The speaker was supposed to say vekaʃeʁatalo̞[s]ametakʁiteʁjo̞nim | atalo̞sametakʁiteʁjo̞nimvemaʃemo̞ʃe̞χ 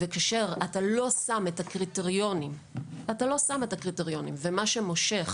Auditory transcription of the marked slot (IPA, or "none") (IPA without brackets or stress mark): s